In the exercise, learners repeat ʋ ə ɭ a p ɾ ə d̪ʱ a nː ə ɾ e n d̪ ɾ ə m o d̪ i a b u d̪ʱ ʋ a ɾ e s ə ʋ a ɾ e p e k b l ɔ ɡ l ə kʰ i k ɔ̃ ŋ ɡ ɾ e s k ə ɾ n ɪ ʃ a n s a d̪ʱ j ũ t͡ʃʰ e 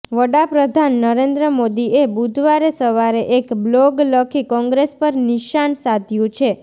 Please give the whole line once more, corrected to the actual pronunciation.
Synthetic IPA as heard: ʋ ə ɽ a p ɾ ə d̪ʱ a nː ə ɾ e n d̪ ɾ ə m o d̪ i e b u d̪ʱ ʋ a ɾ e s ə ʋ a ɾ e ʔ e k b l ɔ ɡ l ə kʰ i k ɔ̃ ŋ ɡ ɾ e s p ə ɾ n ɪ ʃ a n s a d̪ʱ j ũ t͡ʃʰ e